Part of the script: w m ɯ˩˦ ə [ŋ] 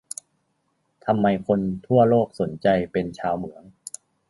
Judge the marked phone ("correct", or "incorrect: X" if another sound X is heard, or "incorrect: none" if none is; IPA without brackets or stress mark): correct